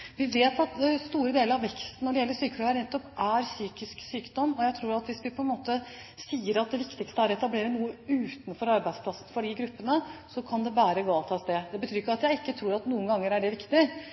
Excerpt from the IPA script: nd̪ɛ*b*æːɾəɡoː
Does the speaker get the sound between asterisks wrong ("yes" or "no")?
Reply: no